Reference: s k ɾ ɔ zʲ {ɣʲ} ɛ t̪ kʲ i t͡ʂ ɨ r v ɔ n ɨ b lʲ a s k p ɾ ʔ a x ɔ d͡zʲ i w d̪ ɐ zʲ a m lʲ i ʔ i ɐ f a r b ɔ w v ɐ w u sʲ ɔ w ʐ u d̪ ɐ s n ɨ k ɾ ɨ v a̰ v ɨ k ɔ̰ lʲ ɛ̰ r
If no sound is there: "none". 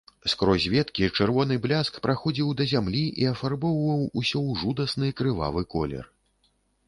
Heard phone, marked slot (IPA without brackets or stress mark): vʲ